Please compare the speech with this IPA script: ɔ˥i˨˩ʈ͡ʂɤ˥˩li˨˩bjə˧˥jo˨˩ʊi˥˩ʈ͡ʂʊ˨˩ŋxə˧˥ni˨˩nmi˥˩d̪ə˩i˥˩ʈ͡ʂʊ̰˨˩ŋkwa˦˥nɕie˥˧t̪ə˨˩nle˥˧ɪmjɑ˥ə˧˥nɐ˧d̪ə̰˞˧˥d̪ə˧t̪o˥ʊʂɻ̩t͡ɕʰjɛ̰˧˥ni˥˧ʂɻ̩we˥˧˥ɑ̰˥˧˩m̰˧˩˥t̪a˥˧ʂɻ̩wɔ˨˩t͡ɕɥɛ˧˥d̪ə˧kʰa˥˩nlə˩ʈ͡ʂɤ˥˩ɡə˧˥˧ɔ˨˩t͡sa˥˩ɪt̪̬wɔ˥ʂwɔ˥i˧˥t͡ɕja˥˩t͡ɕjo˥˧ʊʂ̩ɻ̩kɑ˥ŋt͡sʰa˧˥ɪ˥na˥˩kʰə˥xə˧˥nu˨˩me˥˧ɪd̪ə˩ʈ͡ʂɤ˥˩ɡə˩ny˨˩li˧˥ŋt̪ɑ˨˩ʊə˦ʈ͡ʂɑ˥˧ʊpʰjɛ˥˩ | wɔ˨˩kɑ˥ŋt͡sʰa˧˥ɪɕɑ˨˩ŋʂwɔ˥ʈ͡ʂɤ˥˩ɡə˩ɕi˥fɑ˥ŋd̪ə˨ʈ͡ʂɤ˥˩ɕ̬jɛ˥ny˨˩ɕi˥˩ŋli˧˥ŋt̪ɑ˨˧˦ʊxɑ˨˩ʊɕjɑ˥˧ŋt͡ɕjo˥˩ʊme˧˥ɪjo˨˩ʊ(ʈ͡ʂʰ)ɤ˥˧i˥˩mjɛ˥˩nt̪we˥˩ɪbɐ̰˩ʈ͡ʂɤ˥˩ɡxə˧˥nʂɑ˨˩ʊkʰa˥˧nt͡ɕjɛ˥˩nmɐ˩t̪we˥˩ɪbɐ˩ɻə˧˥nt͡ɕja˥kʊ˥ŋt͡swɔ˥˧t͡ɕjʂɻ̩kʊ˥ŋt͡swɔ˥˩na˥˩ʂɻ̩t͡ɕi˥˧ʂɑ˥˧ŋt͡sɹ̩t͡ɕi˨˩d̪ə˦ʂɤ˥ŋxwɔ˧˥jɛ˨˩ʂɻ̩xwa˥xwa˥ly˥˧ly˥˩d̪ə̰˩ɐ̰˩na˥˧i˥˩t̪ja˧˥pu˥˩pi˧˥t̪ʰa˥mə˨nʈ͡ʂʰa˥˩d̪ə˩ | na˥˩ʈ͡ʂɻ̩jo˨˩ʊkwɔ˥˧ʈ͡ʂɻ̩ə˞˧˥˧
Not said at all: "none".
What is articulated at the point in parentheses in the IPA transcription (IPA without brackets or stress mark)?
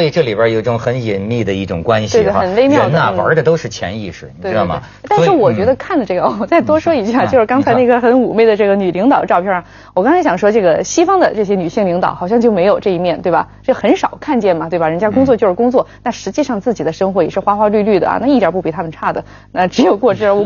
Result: ʈ͡ʂ